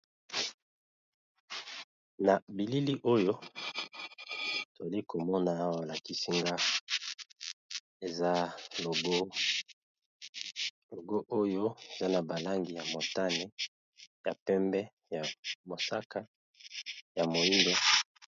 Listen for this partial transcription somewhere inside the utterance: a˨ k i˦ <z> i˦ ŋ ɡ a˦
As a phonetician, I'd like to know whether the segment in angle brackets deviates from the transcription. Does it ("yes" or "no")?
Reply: yes